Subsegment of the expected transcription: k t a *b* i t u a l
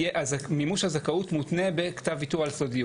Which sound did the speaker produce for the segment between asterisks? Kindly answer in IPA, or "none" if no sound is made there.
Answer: v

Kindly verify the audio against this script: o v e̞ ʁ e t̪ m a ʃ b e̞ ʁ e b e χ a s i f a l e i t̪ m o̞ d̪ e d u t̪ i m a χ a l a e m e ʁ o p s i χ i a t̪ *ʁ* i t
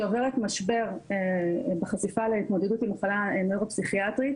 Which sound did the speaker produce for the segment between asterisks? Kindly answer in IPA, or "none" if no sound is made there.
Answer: ʁ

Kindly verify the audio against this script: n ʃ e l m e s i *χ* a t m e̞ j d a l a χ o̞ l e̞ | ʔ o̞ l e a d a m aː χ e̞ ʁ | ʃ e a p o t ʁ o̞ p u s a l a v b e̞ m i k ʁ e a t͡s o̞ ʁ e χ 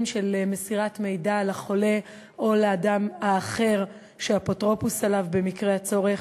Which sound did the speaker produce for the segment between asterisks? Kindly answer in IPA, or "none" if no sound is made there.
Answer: ʁ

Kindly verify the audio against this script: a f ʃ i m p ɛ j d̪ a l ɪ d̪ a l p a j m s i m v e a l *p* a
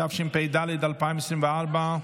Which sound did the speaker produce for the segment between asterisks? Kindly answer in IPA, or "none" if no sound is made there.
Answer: b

